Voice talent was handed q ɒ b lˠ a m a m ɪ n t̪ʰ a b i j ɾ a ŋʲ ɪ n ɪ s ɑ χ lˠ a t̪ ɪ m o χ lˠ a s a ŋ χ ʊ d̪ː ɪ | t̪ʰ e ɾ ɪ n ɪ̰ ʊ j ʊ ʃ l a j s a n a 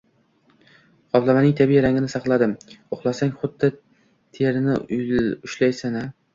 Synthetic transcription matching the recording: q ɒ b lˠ a m a n ɪ ŋ t̪ʰ a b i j ɾ a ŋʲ ɪ n ɪ s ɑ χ lˠ a d̪ ɪ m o χ lˠ a s a ŋ χ ʊ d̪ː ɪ | t̪ʰ e ɾ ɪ n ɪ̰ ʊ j ʊ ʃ l a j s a n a